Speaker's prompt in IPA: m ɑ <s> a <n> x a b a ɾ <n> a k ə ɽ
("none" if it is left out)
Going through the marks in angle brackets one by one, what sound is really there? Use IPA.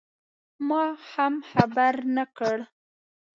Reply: h, m, n

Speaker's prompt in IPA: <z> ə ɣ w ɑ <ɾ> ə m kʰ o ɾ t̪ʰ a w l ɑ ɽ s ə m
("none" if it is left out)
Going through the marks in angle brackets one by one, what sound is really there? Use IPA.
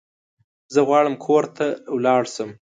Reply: z, ɽ

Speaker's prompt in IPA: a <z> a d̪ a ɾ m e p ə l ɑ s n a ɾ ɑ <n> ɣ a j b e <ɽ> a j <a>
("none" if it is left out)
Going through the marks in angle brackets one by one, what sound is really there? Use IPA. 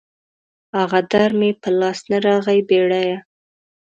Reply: ɣ, none, ɽ, a

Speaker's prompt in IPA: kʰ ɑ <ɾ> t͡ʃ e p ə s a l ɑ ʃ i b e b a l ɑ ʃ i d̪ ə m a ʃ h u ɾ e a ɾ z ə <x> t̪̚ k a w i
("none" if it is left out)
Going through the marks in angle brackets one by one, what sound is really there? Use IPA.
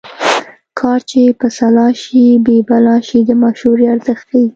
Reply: ɾ, x

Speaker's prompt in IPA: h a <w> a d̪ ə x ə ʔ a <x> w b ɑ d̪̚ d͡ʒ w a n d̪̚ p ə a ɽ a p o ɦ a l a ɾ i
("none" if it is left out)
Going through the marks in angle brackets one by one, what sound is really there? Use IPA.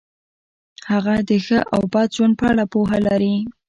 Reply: ɣ, none

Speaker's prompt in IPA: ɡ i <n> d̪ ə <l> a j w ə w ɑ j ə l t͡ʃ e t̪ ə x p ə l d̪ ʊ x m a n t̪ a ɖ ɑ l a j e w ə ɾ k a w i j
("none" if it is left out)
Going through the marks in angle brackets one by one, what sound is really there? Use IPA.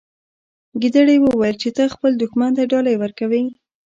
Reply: none, ɽ

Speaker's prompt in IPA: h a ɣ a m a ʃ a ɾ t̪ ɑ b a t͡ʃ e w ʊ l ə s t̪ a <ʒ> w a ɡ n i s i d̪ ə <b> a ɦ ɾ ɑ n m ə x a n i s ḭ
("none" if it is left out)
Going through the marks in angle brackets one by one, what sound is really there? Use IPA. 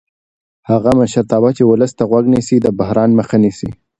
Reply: ɣ, b

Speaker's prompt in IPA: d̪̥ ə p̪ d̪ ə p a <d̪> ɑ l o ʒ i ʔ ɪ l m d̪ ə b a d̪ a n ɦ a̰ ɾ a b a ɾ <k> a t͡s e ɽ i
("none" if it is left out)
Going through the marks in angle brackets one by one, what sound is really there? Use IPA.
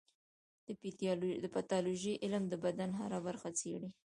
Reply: t̪, x

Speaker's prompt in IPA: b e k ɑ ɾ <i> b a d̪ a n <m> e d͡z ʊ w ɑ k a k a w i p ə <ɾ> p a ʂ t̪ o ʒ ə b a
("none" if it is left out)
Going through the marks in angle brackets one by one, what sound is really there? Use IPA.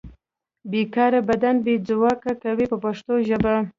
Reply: a, b, none

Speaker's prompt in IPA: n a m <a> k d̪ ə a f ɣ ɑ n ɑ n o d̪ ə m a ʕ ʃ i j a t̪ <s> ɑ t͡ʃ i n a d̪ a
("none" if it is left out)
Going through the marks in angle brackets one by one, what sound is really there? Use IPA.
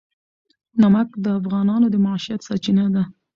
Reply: a, s

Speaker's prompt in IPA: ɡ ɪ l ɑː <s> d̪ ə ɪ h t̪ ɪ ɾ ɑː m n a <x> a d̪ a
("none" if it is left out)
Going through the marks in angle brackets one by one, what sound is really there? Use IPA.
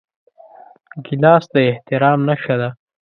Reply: s, ʃ

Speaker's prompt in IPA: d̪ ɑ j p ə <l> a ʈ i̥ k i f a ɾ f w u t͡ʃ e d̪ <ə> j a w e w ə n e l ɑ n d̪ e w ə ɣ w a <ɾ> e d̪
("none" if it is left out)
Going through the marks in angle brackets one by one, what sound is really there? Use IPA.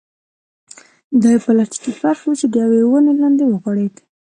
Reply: l, ə, ɽ

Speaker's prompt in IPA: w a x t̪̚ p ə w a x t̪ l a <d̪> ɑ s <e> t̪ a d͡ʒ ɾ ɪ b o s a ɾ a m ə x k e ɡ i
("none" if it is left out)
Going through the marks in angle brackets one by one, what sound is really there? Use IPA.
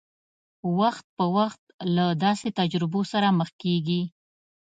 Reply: d̪, e

